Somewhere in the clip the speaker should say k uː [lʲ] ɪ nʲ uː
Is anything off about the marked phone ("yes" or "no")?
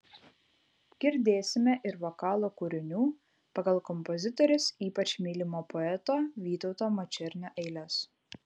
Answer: yes